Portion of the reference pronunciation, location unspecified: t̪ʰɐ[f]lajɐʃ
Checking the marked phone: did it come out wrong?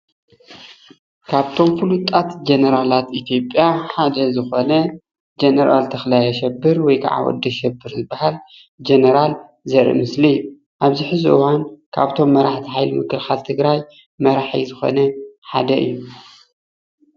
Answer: yes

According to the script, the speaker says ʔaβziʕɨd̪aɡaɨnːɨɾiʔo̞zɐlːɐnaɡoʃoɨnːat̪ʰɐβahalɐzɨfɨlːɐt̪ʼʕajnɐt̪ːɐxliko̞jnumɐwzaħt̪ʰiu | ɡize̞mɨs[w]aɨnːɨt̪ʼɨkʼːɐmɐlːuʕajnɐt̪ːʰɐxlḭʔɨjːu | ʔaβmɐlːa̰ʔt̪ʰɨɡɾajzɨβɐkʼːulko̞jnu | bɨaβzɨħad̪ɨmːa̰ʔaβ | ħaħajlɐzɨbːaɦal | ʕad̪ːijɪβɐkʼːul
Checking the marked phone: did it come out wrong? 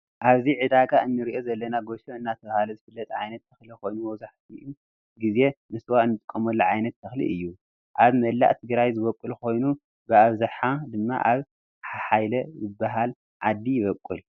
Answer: no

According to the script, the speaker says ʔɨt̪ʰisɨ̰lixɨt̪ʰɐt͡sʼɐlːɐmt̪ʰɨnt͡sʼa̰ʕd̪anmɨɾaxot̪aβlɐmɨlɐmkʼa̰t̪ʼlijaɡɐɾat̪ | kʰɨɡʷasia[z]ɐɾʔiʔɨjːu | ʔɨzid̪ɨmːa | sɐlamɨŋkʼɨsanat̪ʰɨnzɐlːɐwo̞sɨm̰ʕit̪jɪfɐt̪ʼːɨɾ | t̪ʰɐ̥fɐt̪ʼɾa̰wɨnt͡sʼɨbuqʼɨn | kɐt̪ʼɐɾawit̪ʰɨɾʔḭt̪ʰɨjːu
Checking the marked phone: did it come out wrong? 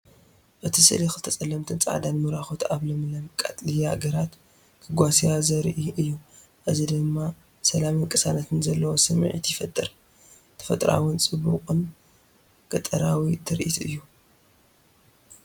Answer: no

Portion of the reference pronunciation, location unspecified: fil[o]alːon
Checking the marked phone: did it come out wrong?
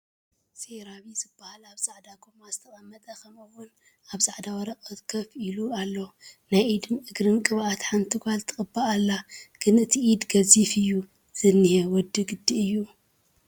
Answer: yes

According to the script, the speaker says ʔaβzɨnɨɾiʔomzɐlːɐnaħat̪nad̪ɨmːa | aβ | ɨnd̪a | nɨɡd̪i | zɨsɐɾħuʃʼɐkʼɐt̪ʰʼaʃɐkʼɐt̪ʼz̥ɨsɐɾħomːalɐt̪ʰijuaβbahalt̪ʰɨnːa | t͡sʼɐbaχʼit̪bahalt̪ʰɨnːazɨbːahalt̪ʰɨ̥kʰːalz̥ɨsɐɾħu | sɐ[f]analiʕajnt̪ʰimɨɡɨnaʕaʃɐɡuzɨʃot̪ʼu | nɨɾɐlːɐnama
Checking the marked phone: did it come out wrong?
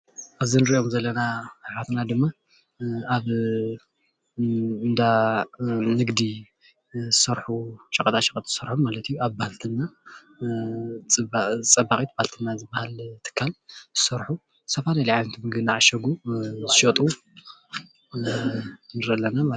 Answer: no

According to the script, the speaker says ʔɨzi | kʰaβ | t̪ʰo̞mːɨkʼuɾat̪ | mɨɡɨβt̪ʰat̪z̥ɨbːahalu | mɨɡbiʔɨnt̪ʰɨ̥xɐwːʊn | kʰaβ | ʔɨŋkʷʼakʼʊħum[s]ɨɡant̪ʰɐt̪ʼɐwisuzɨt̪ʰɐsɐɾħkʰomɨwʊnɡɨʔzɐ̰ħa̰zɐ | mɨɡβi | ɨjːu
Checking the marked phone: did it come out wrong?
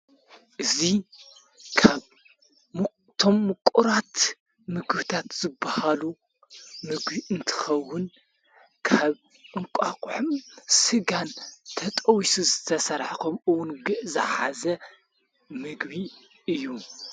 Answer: no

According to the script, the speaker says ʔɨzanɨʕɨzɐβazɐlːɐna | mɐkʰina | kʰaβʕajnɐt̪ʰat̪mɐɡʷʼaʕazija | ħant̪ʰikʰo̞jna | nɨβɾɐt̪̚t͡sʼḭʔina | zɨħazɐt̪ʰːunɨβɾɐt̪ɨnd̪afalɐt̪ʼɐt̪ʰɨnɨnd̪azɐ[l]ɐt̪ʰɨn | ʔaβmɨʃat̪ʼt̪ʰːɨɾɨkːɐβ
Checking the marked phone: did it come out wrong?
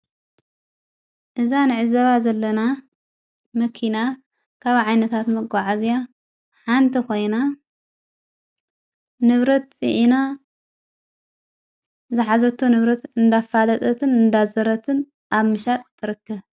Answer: yes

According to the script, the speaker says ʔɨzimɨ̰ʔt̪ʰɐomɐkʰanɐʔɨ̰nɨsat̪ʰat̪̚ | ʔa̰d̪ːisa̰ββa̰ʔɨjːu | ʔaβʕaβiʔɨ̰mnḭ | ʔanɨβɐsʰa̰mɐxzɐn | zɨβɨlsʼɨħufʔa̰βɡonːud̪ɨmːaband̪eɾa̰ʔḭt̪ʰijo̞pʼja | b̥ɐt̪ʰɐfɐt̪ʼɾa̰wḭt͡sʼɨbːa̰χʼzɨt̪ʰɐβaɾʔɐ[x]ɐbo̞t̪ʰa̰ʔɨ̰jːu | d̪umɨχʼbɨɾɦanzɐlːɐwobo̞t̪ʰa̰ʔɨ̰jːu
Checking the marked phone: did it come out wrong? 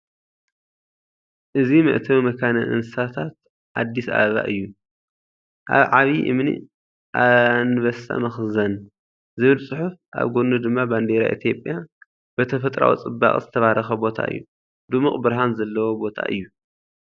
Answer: no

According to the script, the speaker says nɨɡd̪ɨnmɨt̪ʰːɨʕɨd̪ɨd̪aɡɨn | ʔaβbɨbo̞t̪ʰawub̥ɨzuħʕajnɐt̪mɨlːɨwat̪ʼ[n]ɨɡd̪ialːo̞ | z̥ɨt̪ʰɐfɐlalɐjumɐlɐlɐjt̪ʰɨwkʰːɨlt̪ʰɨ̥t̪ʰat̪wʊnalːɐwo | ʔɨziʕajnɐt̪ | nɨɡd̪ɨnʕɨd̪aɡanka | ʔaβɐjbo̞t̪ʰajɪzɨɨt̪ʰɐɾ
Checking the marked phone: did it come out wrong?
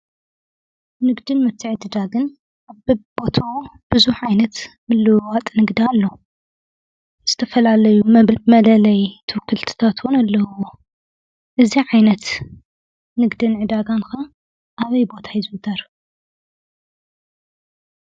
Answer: no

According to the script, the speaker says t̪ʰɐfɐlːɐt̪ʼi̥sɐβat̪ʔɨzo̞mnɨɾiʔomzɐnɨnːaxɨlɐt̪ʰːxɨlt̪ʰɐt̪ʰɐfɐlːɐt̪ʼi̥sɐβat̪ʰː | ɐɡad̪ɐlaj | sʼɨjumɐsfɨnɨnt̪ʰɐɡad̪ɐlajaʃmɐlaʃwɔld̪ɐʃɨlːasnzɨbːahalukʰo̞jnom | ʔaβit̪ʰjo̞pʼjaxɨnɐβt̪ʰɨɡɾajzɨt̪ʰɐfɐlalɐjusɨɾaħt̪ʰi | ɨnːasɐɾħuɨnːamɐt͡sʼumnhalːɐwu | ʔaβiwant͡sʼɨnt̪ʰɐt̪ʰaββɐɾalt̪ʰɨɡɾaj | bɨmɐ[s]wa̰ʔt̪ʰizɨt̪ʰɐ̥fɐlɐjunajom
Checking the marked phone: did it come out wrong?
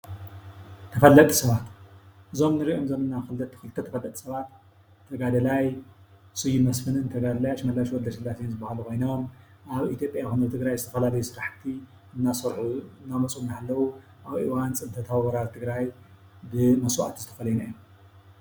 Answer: no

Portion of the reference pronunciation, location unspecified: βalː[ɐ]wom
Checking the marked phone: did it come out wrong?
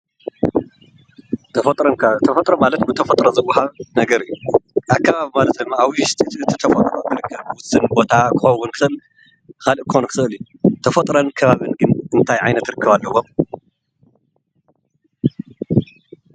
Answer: no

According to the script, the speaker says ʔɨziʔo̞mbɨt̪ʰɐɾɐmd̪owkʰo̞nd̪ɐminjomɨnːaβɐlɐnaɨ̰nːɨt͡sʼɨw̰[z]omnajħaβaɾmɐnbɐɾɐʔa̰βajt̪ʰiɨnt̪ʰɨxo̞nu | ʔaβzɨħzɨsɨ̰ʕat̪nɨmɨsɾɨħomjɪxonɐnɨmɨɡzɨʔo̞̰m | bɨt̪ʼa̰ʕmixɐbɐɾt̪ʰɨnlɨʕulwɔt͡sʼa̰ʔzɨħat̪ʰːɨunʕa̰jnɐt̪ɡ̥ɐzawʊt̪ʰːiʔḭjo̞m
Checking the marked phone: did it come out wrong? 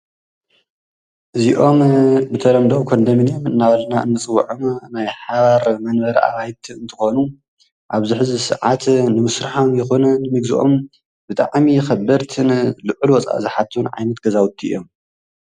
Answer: yes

